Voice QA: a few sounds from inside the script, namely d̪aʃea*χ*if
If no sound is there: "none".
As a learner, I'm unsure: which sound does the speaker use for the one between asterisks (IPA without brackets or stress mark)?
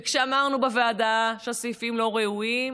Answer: s